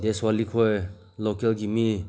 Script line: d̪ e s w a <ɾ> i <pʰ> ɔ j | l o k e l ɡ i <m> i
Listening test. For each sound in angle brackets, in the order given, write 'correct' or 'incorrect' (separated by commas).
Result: incorrect, incorrect, correct